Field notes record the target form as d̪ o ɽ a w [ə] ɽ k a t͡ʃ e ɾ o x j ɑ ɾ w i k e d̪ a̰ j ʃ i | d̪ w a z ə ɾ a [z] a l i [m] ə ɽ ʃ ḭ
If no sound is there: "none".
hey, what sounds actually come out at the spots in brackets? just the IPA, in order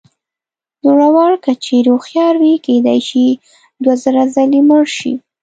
ɑ, z, m

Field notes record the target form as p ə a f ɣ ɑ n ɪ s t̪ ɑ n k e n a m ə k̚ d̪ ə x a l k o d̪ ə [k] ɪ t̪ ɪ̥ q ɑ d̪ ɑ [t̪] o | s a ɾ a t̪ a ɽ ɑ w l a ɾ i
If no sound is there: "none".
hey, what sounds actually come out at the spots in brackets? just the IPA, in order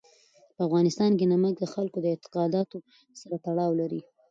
none, t̪

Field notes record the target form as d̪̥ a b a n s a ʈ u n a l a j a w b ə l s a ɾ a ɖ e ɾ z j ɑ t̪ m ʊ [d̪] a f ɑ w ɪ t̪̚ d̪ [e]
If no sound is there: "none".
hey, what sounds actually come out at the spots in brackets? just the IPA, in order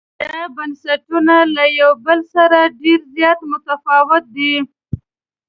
t̪, i

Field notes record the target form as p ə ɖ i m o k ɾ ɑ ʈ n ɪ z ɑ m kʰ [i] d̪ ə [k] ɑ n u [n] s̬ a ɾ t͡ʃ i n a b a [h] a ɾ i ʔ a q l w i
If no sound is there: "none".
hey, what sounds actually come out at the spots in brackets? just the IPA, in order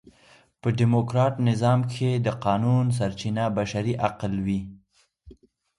e, q, n, ʃ

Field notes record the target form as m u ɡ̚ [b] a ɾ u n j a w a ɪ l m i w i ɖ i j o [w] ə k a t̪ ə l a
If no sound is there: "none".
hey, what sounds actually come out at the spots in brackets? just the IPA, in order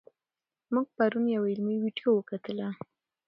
p, w

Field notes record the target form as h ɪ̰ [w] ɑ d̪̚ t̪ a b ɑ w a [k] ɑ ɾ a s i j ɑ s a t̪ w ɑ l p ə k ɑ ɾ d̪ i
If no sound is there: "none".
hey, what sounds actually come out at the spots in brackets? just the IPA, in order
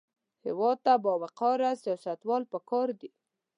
w, q

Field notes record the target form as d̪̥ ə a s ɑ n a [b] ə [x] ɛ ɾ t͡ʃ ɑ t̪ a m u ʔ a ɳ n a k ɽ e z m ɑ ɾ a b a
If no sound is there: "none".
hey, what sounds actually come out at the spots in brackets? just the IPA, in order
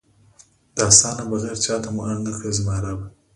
b, ɣ

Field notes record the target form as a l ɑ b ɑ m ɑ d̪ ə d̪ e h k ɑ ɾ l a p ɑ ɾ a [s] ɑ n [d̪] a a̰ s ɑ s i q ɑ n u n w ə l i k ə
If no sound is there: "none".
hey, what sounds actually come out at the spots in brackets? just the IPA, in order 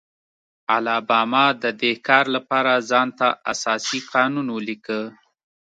z, t̪

